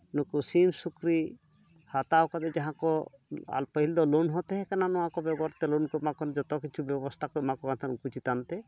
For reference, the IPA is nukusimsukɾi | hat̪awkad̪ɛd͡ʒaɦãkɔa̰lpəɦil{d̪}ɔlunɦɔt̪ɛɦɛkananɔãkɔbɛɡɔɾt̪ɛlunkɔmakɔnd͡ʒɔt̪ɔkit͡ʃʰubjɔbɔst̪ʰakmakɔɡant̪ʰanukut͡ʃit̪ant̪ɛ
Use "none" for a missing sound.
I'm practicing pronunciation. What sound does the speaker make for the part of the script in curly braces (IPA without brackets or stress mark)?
d̪